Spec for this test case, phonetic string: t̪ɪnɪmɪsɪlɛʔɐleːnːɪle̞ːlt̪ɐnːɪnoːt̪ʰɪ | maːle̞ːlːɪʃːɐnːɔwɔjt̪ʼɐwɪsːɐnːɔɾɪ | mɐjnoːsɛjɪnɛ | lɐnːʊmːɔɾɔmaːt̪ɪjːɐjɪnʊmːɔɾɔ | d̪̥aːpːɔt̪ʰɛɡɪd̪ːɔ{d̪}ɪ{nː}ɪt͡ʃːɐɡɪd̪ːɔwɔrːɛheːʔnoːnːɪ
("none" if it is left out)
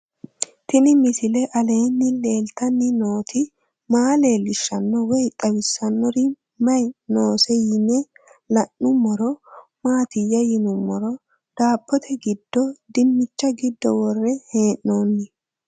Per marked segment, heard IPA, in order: d̪, mː

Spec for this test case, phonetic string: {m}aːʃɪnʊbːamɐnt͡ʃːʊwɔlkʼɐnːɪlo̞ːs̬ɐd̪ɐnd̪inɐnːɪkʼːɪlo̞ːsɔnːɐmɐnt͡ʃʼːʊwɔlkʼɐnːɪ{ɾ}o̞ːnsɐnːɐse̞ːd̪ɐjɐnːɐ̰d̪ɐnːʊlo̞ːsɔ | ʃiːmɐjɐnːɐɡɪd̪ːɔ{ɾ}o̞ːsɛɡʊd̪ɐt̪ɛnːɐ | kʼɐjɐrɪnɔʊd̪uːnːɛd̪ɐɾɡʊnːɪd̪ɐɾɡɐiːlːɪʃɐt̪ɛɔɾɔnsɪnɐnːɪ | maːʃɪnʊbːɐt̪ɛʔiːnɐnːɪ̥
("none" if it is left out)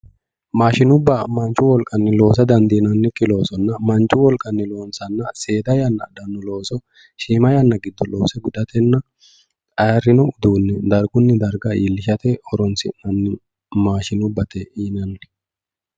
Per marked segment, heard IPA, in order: m, l, l

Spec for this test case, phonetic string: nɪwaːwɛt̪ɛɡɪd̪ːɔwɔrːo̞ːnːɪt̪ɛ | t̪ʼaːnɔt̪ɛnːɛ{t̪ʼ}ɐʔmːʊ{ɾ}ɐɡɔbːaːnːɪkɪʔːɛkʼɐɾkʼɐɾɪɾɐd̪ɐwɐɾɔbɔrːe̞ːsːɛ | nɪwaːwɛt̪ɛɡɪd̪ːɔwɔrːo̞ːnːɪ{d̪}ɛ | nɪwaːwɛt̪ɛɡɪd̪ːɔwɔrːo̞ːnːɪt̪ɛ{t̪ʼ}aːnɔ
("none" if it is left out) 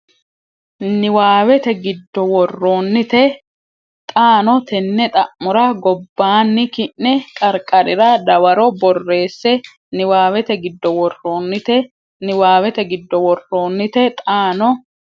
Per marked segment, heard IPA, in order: t̪ʼ, ɾ, t̪, t̪ʼ

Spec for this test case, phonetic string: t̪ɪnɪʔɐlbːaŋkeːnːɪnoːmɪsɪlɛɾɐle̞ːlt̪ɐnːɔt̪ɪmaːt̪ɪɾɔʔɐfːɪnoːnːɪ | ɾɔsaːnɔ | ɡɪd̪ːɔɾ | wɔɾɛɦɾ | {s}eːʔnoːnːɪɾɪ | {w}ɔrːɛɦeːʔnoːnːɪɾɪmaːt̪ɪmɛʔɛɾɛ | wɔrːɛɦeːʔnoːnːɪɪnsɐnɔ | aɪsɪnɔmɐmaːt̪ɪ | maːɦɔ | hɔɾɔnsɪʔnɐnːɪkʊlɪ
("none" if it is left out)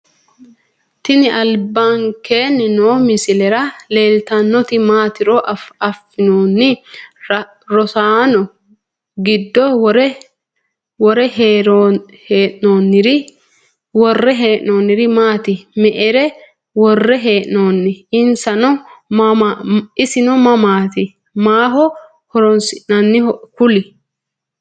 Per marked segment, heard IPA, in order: h, w

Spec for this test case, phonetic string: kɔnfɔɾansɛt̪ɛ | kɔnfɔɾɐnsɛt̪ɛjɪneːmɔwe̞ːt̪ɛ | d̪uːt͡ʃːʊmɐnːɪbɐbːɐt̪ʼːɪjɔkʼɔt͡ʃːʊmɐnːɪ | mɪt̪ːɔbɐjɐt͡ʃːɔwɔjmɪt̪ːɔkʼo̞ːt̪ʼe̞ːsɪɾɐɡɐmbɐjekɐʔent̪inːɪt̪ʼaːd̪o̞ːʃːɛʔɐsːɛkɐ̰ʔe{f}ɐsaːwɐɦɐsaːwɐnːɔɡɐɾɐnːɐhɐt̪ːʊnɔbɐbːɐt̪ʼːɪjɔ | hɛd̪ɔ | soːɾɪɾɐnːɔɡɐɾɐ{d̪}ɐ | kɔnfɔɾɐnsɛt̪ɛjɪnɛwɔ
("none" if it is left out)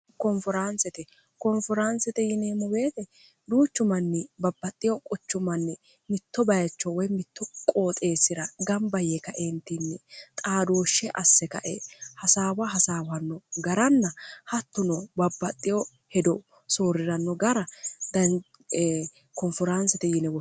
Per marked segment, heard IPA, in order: h, d̪

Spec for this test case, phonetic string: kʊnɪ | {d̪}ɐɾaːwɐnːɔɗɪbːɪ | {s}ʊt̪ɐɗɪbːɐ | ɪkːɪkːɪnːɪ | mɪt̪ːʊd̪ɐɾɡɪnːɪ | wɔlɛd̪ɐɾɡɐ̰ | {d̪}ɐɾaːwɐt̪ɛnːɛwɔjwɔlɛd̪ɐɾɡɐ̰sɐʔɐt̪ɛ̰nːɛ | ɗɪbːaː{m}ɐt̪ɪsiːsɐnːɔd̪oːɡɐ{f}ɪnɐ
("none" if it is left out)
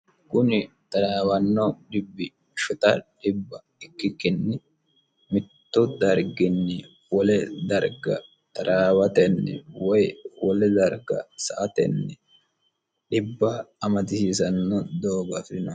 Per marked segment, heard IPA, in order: t̪, ʃ, t̪, m, f

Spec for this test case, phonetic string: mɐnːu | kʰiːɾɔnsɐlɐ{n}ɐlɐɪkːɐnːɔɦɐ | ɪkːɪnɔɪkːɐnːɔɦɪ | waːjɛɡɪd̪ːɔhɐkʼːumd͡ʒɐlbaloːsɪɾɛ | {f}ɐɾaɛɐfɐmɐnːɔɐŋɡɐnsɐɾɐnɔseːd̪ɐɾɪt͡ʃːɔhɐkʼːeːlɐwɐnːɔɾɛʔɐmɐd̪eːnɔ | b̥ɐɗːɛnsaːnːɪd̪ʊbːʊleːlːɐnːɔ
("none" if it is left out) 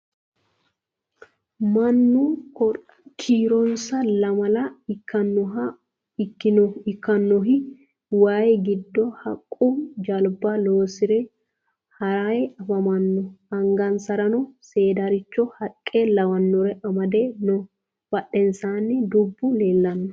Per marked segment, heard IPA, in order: m, h

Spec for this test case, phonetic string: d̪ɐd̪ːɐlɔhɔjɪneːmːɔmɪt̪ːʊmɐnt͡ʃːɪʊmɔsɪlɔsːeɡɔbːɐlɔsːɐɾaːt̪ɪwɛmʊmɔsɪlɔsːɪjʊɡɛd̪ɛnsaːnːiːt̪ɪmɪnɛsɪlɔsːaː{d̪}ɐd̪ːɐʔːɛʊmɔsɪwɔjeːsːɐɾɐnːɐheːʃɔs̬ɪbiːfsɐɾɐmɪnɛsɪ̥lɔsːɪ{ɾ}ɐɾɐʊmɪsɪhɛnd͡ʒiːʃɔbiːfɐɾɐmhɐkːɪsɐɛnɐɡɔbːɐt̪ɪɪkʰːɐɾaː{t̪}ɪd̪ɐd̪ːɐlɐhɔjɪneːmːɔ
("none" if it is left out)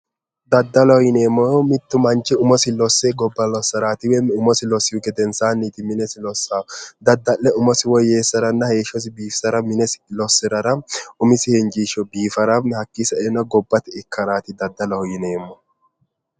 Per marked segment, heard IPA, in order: d̪, ɾ, t̪

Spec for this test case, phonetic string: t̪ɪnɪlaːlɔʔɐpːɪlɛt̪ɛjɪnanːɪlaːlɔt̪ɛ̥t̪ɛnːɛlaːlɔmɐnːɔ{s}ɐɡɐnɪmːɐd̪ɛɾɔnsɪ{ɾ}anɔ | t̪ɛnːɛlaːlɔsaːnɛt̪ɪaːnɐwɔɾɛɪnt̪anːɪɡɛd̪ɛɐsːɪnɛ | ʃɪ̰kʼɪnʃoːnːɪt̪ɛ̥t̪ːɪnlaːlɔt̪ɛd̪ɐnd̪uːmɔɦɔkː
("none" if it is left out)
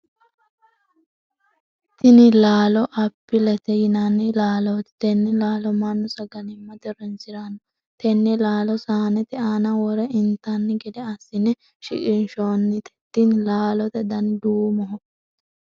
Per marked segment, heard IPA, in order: s, ɾ

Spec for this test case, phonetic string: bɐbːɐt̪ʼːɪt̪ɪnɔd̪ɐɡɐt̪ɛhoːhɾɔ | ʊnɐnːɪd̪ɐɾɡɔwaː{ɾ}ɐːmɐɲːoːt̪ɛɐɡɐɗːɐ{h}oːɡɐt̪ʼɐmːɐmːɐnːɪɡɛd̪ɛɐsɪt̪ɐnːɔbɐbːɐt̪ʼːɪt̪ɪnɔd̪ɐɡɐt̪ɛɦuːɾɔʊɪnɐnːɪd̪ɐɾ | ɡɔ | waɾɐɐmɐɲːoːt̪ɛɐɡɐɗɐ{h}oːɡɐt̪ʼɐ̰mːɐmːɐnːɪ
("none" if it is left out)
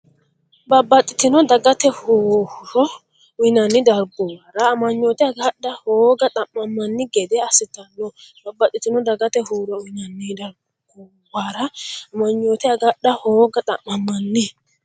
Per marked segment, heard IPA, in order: ɾ, h, h

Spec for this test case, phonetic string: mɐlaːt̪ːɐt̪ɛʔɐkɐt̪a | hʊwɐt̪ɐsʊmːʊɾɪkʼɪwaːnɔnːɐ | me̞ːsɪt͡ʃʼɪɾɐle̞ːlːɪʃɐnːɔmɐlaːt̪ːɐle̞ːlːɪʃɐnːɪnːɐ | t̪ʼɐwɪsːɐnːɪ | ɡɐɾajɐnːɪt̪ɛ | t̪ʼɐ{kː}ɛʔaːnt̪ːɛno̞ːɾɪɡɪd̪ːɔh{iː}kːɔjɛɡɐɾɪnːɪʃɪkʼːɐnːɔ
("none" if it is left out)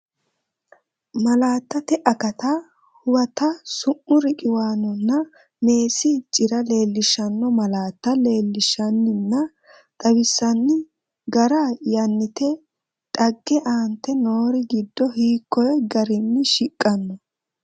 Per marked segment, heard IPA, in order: ɡː, iː

